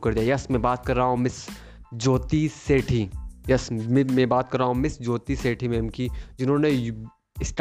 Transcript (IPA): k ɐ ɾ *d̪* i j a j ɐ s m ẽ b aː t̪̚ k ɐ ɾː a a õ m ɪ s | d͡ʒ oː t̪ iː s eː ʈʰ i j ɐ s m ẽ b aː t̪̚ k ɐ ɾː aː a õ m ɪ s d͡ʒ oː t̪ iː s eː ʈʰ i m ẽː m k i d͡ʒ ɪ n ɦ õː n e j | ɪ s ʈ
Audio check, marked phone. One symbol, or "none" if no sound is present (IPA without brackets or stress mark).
d̪